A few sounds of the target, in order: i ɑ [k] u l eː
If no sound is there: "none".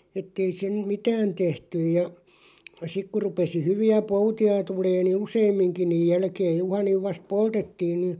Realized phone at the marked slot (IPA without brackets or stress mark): t